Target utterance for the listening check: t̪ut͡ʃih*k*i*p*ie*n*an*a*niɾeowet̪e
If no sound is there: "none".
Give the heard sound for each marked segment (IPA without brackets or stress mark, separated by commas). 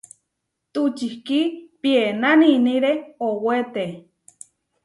k, p, n, i